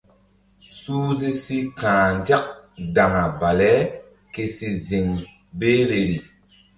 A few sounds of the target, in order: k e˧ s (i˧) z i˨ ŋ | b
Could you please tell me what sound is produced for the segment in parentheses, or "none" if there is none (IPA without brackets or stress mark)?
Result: i˧